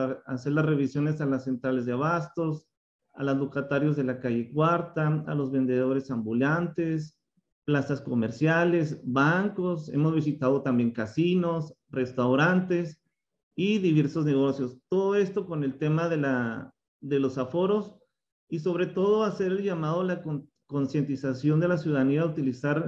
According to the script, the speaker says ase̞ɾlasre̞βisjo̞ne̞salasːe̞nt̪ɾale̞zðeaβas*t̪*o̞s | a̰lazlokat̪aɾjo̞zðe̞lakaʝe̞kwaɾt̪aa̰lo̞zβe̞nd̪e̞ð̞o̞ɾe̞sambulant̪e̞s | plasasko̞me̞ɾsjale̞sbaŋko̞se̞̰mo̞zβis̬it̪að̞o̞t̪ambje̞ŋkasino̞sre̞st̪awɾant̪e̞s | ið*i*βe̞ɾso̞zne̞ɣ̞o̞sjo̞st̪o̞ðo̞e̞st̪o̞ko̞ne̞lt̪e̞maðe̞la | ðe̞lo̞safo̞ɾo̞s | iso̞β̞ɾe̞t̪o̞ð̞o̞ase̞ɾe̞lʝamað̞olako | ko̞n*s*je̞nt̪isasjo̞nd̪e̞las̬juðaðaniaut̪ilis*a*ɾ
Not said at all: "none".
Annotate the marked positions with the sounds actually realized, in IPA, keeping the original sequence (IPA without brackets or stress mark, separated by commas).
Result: t̪, i, s, a